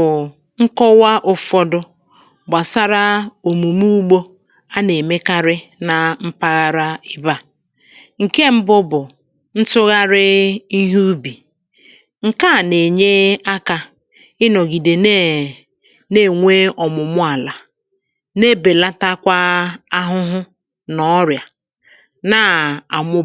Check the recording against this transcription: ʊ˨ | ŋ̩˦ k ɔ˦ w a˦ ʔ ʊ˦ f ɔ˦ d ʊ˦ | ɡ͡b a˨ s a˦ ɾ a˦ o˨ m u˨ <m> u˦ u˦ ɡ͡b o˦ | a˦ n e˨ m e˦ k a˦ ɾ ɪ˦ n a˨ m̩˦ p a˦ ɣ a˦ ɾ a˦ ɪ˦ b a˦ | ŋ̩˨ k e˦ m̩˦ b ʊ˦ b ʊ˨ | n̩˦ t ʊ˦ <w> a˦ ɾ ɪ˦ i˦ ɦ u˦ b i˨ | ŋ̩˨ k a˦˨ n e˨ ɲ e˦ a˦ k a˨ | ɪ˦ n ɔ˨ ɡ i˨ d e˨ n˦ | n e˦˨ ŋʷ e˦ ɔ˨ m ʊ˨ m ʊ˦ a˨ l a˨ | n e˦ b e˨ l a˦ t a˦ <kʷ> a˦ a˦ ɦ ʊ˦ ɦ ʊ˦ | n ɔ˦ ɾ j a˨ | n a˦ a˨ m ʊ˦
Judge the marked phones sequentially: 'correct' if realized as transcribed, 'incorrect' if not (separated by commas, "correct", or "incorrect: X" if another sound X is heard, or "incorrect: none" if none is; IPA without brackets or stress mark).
correct, incorrect: ɣ, correct